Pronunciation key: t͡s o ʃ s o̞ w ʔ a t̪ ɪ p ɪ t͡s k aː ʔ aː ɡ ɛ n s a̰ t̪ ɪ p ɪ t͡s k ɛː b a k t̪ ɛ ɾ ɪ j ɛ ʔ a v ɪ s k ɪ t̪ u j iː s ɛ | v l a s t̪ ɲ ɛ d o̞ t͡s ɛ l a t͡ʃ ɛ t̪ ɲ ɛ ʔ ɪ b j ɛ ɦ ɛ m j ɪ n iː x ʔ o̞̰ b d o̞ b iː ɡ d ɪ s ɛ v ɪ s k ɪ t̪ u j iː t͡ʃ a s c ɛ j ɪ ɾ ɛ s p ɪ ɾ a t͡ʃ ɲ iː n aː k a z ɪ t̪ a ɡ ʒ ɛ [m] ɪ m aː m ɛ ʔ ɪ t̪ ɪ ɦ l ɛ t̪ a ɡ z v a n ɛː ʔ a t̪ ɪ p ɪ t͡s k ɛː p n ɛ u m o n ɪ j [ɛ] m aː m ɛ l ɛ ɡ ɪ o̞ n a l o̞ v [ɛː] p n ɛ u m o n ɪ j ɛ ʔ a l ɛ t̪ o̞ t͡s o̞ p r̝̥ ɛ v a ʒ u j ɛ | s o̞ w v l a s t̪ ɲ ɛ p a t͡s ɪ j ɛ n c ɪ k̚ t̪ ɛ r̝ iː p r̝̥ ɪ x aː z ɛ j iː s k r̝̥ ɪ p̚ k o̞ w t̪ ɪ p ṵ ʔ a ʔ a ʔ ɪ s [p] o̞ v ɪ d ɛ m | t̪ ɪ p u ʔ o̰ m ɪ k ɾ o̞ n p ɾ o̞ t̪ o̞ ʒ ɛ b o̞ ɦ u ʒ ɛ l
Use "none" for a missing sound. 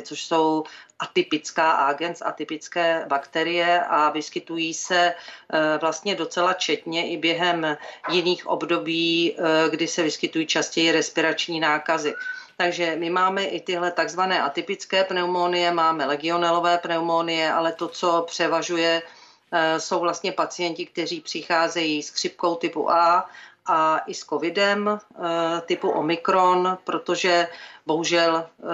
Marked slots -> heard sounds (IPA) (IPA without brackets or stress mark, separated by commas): m, ɛ, ɛː, k